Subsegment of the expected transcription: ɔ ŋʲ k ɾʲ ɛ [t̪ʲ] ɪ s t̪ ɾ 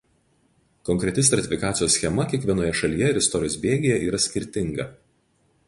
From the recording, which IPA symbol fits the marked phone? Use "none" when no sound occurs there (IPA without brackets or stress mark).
t̪ʲ